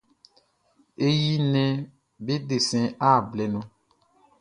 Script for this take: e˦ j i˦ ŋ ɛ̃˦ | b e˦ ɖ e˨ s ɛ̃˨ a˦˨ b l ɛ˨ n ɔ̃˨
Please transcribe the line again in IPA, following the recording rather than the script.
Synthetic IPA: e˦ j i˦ n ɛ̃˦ | b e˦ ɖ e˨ s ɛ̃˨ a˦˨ b l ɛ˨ n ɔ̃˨